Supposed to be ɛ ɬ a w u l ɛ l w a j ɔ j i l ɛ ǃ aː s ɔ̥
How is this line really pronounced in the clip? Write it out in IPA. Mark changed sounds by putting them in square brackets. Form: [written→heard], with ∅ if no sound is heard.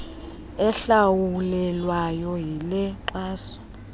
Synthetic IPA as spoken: ɛ ɬ a w u l ɛ l w a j ɔ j i l ɛ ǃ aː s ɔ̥